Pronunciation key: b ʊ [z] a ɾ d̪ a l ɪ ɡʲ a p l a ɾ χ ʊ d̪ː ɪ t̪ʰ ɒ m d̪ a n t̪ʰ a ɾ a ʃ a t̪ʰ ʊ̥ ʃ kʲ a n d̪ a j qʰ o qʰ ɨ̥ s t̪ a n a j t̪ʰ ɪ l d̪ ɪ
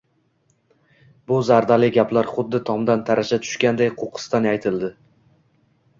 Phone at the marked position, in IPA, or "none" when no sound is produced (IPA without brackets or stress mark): z